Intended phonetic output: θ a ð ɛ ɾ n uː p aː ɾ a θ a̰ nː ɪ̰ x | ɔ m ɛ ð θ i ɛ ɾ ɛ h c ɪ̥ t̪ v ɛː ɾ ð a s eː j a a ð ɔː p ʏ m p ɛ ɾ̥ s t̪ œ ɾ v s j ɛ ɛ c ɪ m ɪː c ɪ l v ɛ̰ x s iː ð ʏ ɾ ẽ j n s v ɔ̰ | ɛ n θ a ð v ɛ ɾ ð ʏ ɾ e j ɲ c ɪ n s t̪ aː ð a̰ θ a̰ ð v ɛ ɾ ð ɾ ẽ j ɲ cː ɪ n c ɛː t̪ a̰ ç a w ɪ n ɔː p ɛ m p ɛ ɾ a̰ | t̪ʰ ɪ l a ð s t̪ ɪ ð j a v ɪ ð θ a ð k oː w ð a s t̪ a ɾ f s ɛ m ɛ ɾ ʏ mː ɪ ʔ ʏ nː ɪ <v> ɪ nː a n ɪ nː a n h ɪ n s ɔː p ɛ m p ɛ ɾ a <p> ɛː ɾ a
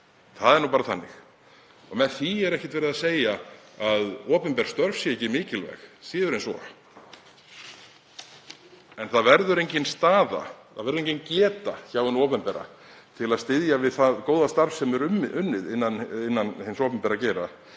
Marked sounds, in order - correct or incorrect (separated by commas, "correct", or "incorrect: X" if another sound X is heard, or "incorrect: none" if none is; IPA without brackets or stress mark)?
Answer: incorrect: ð, incorrect: c